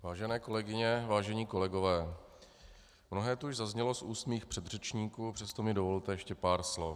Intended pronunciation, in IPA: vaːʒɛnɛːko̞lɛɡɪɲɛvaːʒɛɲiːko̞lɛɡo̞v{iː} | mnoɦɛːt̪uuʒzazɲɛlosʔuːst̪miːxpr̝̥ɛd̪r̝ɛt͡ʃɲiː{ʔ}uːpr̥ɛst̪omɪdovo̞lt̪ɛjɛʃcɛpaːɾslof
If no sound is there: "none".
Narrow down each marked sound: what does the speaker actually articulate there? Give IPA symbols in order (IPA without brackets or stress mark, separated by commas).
ɛː, k